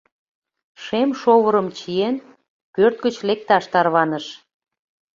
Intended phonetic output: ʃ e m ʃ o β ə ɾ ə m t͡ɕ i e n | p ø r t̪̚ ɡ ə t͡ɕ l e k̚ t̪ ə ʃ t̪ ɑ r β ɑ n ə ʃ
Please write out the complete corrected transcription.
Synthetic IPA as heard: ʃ e m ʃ o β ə ɾ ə m t͡ɕ i e n | p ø r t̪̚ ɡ ə t͡ɕ l e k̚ t̪ ɑ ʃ t̪ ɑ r β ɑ n ə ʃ